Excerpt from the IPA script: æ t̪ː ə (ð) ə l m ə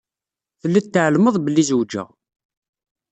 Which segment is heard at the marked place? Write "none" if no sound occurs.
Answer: ʕ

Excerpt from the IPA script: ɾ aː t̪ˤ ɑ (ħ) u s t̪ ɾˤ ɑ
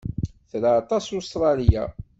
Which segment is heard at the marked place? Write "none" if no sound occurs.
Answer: s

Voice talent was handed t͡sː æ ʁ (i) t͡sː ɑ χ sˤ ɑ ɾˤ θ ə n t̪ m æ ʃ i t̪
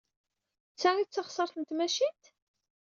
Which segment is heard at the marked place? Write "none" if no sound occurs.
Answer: i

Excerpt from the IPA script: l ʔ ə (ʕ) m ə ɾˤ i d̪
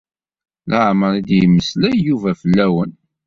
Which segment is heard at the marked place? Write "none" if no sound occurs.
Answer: ʕ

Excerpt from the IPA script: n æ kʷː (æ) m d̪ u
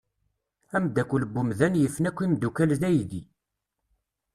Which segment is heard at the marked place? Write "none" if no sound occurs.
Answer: i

